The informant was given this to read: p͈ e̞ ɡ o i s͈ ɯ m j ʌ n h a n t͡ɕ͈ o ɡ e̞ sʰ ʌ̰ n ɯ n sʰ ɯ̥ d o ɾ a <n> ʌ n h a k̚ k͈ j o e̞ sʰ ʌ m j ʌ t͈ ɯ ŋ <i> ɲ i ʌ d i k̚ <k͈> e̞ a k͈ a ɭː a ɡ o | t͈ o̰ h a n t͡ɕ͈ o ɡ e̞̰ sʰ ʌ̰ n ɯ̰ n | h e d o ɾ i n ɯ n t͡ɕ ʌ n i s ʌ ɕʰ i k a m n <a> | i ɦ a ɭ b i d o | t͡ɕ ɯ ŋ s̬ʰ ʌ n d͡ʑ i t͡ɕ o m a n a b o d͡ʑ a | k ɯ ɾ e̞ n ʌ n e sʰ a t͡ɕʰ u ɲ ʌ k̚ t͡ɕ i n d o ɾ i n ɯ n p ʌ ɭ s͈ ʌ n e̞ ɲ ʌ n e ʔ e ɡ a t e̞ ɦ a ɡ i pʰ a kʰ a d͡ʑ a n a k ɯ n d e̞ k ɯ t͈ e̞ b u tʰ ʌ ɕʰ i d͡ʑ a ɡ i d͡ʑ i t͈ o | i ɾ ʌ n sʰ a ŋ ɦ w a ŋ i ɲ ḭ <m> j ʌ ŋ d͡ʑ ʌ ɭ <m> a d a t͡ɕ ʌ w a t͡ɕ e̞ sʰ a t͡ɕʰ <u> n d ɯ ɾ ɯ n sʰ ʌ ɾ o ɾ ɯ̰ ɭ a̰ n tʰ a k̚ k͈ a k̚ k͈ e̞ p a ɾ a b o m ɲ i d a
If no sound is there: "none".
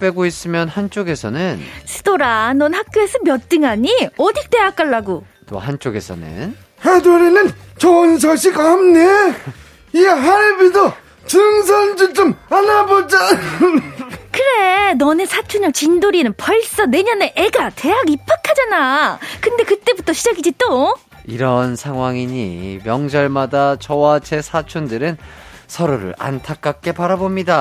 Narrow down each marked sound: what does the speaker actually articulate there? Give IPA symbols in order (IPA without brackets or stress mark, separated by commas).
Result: n, a, t͈, e, m, m, u